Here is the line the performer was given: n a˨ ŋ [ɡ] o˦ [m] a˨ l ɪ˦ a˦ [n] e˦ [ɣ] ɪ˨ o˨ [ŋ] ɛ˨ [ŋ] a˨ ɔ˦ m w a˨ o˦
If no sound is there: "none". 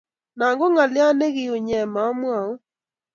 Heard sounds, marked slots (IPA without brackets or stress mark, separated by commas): ɡ, ŋ, n, ɣ, ɲ, m